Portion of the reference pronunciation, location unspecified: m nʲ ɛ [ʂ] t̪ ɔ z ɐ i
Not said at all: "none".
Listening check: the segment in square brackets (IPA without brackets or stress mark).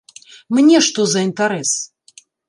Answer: ʂ